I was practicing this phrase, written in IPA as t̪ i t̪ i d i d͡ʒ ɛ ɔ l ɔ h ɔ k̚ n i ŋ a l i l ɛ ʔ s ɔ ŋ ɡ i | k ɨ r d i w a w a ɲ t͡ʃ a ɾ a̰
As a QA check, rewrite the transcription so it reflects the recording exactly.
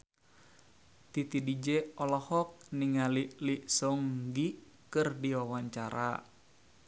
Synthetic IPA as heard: t̪ i t̪ i d i d͡ʒ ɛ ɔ l ɔ h ɔ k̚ n i ŋ a l i l i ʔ s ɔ ŋ ɡ i | k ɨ r d i w a w a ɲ t͡ʃ a ɾ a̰